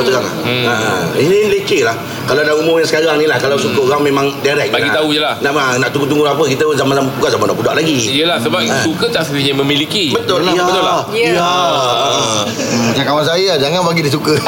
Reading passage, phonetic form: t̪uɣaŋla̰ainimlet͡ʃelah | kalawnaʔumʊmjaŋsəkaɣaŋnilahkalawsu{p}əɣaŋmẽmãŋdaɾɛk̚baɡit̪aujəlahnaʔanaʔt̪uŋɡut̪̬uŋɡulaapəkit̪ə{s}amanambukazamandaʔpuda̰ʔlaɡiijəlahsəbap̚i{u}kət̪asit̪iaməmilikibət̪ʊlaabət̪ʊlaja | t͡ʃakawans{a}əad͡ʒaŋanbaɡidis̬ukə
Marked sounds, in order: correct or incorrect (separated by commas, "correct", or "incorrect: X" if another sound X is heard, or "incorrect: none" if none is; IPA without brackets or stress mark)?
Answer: incorrect: k, incorrect: z, correct, correct